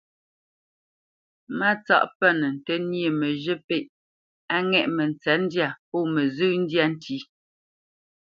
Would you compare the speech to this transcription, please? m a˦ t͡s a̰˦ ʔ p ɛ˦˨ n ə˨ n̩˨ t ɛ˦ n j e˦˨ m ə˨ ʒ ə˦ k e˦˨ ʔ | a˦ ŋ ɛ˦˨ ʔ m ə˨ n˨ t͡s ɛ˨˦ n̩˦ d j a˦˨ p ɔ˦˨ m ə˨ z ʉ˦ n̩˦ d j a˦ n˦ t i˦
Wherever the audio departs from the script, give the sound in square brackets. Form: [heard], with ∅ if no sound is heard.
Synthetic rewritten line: m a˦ t͡s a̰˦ ʔ p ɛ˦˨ n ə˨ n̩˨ t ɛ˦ n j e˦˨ m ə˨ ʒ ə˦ [p] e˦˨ ʔ | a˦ ŋ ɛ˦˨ ʔ m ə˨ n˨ t͡s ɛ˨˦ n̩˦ d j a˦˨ p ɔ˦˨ m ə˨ z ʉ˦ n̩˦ d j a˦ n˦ t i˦

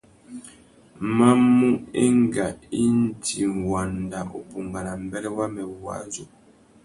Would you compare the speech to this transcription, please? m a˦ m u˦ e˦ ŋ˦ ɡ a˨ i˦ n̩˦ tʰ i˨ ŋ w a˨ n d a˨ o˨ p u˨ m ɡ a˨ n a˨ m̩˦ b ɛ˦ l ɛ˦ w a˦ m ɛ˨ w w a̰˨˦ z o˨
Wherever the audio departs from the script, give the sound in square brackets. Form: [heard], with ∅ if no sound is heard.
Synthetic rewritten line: m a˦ m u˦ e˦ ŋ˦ ɡ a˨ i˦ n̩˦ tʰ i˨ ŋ w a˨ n d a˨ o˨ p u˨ [ŋ] ɡ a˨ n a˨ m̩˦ b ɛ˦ l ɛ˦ w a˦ m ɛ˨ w w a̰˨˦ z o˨

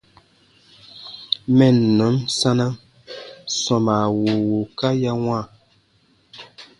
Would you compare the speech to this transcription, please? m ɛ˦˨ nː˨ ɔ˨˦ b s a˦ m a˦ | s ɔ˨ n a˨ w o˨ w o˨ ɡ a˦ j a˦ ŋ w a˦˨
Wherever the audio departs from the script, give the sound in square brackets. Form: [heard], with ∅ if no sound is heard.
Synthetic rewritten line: m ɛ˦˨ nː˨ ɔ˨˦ [m] s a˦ [n] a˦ | s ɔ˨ [m] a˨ w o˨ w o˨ [k] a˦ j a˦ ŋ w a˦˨

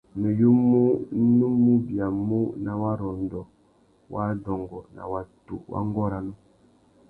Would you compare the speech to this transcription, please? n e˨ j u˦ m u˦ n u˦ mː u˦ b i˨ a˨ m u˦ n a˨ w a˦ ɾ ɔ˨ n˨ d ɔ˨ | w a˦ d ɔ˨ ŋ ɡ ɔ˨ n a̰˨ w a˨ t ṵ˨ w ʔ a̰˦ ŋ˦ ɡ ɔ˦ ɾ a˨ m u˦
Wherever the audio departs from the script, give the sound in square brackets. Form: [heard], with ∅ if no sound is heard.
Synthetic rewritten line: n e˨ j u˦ m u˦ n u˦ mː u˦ b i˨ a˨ m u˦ n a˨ w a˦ ɾ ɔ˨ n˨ d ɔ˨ | w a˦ d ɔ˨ ŋ ɡ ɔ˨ n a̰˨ w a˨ t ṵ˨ w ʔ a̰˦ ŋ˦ ɡ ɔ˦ ɾ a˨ [n] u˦

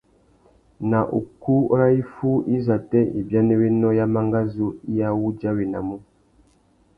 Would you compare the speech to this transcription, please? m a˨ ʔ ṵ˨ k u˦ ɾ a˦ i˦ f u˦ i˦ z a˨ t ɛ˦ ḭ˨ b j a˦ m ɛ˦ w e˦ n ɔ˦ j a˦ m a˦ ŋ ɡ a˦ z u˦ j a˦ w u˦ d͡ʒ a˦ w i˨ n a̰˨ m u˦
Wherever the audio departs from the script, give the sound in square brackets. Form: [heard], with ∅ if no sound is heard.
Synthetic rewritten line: [n] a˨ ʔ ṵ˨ k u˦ ɾ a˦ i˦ f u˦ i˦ z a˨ t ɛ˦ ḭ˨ b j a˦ [n] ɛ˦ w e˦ n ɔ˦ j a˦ m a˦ ŋ ɡ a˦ z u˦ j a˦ w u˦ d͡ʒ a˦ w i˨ n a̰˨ m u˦

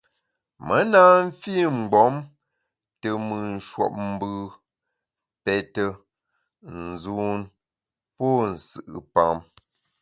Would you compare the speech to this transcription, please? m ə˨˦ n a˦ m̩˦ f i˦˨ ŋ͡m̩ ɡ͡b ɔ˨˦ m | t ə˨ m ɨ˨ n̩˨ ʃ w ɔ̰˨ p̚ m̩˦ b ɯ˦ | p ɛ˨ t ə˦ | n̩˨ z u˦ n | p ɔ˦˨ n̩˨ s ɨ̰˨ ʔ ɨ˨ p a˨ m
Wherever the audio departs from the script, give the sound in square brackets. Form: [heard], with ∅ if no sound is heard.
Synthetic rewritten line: m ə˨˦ n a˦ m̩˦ f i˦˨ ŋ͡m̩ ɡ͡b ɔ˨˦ m | t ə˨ m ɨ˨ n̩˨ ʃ w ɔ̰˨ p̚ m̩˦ b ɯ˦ | p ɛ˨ t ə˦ | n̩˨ z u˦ n | p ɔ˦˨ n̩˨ s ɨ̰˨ ʔ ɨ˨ p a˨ m

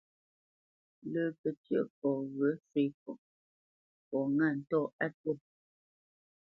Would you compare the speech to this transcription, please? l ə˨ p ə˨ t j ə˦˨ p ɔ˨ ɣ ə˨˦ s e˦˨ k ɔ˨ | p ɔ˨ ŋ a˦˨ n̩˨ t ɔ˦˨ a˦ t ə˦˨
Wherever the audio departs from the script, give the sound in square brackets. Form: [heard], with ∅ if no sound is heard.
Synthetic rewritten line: l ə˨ p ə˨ t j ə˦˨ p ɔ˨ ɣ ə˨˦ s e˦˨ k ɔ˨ | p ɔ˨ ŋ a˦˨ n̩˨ t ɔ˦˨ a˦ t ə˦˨

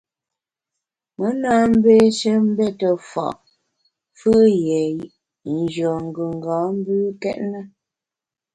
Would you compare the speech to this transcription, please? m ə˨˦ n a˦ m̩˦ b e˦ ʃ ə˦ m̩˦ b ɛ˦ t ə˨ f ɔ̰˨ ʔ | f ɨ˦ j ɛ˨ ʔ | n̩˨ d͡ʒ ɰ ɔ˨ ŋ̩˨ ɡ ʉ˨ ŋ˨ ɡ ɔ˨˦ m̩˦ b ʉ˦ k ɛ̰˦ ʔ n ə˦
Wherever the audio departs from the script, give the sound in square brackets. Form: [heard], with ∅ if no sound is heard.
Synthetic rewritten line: m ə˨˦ n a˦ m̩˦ b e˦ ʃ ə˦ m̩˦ b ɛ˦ t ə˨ f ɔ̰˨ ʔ | f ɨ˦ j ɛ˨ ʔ | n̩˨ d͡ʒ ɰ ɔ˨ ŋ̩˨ ɡ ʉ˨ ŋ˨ ɡ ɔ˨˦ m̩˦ b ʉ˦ k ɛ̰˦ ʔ n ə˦

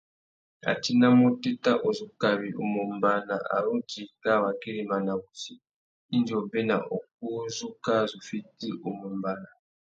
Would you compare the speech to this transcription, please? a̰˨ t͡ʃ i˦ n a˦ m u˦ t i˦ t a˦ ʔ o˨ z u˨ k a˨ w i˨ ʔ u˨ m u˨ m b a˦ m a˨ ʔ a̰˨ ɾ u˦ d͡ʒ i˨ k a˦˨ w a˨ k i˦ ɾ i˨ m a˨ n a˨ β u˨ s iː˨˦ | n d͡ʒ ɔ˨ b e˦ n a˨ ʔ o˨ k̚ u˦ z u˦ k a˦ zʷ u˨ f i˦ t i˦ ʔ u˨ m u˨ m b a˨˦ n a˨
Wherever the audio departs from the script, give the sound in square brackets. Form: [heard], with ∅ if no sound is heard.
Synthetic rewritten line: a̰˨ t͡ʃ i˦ n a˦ m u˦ t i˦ t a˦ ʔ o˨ z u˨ k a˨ [β] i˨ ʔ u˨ m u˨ m b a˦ [n] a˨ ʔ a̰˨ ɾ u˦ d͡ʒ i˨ k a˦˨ w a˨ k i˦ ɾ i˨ m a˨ n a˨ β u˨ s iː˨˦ | n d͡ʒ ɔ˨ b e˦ n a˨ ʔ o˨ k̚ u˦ z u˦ k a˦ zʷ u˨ f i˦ t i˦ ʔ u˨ m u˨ m b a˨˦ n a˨

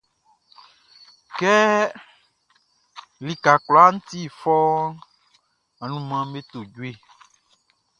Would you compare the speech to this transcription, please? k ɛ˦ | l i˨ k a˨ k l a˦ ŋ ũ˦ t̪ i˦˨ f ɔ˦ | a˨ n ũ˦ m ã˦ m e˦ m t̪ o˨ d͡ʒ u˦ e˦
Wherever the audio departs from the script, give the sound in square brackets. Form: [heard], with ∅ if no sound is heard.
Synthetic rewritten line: k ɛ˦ | l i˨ k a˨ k l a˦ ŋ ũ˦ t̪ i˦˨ f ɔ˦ | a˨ n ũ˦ m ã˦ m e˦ [∅] t̪ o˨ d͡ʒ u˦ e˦

